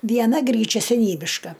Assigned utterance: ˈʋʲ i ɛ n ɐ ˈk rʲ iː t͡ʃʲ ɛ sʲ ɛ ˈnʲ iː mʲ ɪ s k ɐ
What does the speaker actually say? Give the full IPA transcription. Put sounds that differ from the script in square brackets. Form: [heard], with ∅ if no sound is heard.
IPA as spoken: ˈʋʲ i ɛ n ɐ [ˈɡ] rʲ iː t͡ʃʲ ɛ sʲ ɛ ˈnʲ iː [bʲ] ɪ [ʃ] k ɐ